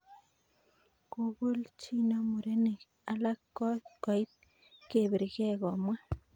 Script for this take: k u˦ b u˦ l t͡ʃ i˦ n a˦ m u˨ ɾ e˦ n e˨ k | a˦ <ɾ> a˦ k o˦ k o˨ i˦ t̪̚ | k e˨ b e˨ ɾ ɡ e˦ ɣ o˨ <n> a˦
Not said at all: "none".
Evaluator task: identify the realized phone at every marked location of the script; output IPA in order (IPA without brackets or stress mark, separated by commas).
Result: l, m